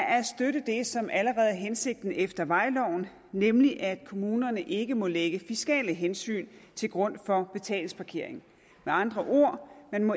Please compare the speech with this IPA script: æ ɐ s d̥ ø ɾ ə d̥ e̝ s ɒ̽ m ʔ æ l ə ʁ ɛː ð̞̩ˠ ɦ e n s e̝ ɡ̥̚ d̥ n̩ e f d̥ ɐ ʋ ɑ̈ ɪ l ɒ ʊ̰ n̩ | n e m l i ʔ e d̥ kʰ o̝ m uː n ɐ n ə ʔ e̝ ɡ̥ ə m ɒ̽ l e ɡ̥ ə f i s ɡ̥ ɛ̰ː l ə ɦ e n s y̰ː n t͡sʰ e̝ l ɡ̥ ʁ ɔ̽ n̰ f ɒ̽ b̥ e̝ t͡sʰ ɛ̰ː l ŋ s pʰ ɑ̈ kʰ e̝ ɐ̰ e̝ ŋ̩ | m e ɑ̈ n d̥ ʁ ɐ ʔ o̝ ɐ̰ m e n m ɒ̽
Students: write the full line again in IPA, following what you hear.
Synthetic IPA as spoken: æ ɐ s d̥ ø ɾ ə d̥ e̝ s ɒ̽ m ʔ æ l ə ʁ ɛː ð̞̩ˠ ɦ e n s e̝ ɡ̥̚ d̥ n̩ e f d̥ ɐ ʋ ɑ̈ ɪ l ɒ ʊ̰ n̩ | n e m l i ʔ æ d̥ kʰ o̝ m uː n ɐ n ə ʔ e̝ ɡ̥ ə m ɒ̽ l e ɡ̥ ə f i s ɡ̥ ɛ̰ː l ə ɦ e n s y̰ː n t͡sʰ e̝ l ɡ̥ ʁ ɔ̽ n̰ f ɒ̽ b̥ e̝ t͡sʰ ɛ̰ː l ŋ s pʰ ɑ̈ kʰ e̝ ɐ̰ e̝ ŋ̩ | m e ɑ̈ n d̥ ʁ ɐ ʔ o̝ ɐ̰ m e n m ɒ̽